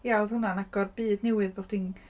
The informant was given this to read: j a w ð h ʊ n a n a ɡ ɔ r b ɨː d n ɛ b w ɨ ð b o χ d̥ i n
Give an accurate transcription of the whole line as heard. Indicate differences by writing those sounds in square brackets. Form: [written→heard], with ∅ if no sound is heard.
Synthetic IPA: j a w ð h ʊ n a n a ɡ ɔ r b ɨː d n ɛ [b→∅] w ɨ ð b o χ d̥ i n